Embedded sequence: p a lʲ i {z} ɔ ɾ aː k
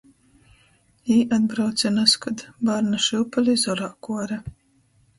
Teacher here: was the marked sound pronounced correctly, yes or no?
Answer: yes